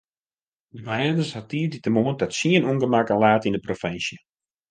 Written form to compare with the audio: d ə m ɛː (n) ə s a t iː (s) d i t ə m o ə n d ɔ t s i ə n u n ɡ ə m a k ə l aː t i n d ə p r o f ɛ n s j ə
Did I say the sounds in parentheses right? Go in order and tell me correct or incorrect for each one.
incorrect: d, incorrect: none

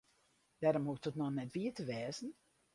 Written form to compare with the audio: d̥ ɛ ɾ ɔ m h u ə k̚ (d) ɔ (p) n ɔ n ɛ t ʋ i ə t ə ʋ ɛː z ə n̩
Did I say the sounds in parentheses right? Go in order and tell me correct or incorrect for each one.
incorrect: t, incorrect: t

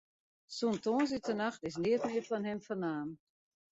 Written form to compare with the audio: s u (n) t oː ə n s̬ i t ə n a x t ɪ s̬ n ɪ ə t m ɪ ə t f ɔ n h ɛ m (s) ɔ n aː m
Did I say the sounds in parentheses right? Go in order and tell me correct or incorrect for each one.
correct, incorrect: f

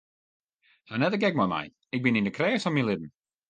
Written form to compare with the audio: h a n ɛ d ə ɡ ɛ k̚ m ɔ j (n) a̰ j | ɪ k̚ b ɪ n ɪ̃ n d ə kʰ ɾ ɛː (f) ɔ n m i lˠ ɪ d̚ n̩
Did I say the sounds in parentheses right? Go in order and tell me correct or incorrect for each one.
incorrect: m, incorrect: s

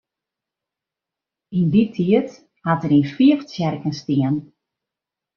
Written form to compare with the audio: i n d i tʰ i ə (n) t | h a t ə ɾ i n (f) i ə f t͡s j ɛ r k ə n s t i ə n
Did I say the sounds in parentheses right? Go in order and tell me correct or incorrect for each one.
incorrect: none, correct

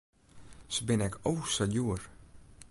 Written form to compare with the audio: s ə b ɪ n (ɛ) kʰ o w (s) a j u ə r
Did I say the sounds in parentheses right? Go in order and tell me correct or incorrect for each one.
correct, correct

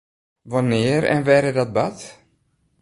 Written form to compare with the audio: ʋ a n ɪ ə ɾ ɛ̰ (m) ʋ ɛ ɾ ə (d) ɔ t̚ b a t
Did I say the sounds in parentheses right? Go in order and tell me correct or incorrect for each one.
incorrect: n, correct

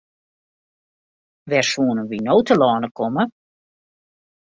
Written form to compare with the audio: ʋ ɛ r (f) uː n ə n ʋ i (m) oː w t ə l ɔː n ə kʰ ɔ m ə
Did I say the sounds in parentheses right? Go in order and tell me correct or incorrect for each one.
incorrect: s, incorrect: n

